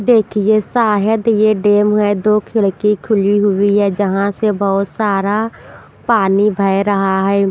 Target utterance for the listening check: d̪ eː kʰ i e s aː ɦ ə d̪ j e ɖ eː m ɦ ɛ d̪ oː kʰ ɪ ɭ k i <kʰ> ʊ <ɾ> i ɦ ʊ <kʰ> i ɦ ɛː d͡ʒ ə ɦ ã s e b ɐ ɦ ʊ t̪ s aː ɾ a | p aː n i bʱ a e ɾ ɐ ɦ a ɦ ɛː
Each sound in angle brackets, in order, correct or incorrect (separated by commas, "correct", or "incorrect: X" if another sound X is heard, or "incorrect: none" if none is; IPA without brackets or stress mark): correct, incorrect: l, incorrect: none